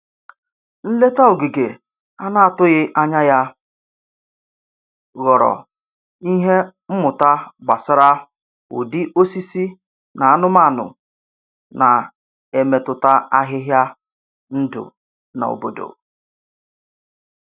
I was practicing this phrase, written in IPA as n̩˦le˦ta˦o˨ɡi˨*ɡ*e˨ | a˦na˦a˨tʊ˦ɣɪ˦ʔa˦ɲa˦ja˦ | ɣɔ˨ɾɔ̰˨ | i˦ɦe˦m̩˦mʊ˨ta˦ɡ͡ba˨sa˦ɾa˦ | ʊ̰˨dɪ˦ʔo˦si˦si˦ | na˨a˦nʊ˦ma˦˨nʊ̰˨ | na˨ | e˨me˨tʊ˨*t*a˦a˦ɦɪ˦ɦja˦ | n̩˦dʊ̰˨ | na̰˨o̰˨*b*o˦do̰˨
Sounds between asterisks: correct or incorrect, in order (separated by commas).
correct, correct, correct